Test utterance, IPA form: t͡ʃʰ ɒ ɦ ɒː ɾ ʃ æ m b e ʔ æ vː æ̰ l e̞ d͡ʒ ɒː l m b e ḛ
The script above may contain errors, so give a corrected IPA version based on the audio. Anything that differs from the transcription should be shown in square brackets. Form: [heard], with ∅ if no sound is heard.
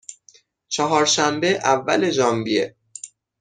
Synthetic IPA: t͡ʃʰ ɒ ɦ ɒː ɾ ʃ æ m b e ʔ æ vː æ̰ l e̞ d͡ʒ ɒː [∅] m b [i] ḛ